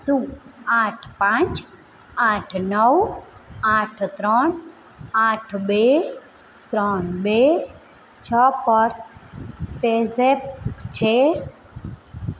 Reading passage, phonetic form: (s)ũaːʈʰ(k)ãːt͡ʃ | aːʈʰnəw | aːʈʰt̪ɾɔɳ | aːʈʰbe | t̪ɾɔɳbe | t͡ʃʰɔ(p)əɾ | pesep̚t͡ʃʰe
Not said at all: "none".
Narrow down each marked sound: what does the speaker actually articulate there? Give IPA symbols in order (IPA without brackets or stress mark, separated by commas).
s, p, p